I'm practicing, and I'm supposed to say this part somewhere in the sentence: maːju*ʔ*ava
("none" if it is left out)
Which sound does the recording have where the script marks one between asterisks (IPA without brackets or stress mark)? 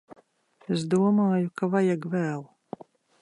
k